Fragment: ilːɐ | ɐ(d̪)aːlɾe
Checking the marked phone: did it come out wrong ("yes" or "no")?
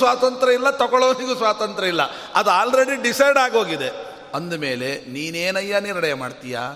no